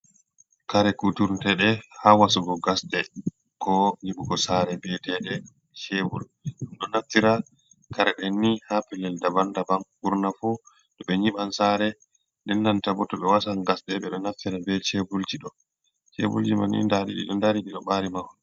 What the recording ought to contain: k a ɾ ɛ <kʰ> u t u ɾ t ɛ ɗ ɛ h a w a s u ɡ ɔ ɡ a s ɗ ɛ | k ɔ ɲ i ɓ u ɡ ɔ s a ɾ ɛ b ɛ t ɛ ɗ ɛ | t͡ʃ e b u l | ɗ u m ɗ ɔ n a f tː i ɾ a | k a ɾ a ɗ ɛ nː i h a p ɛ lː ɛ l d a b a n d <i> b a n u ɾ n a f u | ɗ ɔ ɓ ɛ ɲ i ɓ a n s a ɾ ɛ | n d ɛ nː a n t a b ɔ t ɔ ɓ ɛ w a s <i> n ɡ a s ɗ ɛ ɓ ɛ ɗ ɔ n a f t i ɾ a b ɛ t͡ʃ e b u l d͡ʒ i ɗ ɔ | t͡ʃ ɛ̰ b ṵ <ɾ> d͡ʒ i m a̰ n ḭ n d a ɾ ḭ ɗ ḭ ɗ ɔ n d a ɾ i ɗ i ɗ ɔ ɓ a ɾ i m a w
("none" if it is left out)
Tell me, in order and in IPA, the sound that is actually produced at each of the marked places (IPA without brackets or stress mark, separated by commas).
k, a, a, l